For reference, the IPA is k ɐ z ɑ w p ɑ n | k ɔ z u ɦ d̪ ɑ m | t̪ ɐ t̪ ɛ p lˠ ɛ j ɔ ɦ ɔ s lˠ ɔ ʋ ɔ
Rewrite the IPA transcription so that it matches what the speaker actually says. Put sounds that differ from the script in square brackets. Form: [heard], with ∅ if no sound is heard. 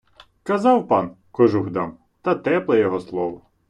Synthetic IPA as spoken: k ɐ z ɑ w p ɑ n | k ɔ [ʒ] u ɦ d̪ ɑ m | t̪ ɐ t̪ ɛ p lˠ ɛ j ɔ ɦ ɔ s lˠ ɔ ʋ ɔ